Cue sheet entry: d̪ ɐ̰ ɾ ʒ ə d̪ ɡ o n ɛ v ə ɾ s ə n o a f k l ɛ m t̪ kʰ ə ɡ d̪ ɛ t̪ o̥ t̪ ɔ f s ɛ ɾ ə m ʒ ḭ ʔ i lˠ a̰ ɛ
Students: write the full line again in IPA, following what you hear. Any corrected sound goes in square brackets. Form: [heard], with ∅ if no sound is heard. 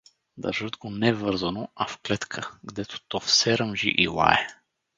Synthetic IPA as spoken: d̪ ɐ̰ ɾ ʒ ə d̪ ɡ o n ɛ v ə ɾ [z] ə n o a f k l ɛ [∅] t̪ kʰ ə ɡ d̪ ɛ t̪ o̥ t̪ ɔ f s ɛ ɾ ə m ʒ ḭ ʔ i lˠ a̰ ɛ